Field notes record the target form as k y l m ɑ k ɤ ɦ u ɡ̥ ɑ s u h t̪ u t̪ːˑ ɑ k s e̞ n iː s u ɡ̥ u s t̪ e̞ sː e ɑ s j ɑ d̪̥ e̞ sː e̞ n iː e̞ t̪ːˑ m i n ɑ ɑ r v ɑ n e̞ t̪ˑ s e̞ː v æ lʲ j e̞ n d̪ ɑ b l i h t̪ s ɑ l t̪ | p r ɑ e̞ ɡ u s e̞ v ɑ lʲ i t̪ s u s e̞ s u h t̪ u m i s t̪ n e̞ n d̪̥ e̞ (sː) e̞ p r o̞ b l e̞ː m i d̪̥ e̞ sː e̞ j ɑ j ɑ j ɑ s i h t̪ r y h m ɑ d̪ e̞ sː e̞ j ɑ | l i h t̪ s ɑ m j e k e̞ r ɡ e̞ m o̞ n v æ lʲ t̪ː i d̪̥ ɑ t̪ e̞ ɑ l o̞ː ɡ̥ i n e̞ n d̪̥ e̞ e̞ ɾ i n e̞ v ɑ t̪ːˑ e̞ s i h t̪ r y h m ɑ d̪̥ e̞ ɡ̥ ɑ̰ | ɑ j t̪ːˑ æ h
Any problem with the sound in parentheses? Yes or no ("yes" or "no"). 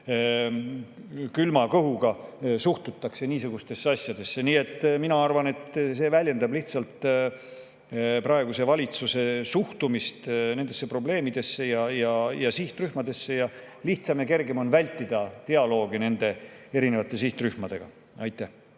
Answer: no